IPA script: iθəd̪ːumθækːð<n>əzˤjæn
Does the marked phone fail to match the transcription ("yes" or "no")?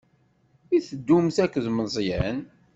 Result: yes